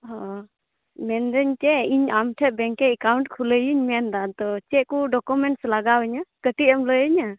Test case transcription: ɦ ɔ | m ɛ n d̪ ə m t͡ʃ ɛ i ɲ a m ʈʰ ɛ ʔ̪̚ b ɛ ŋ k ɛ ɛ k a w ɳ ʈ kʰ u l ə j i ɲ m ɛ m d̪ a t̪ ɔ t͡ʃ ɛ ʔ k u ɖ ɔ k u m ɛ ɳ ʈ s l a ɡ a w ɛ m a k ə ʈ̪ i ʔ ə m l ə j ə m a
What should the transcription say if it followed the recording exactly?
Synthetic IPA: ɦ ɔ | m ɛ n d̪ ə ɲ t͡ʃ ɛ i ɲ a m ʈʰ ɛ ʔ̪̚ b ɛ ŋ k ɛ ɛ k a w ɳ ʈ kʰ u l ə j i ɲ m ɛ n d̪ a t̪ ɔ t͡ʃ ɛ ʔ k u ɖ ɔ k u m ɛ ɳ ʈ s l a ɡ a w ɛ ɲ a k ə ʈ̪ i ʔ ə m l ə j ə ɲ a